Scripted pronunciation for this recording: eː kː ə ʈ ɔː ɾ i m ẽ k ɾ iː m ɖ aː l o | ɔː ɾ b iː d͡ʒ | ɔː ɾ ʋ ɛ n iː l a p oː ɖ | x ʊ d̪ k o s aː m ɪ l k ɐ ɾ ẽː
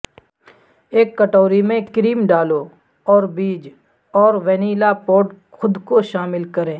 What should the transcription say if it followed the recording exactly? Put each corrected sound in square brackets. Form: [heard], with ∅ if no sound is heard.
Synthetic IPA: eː kː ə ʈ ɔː ɾ i m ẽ k ɾ iː m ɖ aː l o | ɔː ɾ b iː d͡ʒ | ɔː ɾ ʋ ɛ n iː l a p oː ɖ | x ʊ d̪ k o [ʃ] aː m ɪ l k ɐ ɾ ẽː